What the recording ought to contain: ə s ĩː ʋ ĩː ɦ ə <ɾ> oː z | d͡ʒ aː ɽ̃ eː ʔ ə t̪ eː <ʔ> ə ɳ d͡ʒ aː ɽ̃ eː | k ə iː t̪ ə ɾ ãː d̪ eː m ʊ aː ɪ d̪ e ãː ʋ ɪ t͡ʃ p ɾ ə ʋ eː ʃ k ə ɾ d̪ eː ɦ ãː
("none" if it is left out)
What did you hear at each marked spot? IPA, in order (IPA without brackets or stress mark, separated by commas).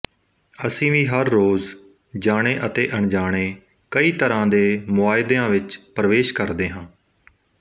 ɾː, ʔ